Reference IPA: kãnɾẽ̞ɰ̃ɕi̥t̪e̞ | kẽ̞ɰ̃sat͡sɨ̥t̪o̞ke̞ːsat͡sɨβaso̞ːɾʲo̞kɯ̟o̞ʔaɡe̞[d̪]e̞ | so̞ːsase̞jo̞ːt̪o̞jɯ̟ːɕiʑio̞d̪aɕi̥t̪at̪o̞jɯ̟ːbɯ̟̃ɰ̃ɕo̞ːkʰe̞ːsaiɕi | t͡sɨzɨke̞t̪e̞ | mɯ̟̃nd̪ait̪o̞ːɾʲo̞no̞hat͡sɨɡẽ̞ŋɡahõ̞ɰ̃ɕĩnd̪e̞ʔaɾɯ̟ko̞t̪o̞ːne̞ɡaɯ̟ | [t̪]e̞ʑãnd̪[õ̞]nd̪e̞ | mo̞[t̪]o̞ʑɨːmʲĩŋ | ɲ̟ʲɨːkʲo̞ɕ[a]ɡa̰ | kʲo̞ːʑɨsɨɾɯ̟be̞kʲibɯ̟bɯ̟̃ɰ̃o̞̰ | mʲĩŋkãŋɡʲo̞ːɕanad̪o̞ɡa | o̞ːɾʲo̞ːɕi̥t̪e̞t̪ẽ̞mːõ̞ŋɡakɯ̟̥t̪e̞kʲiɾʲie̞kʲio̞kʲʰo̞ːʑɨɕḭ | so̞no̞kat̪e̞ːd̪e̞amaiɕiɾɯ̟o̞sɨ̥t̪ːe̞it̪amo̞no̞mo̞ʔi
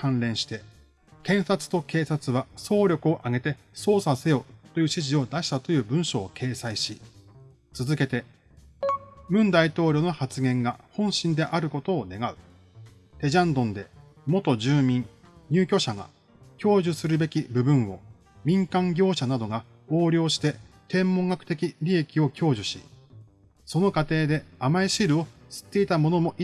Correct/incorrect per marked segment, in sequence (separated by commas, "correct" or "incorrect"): incorrect, correct, correct, correct, correct